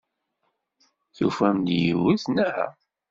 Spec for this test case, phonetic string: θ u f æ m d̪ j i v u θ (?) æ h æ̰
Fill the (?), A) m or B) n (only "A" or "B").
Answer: B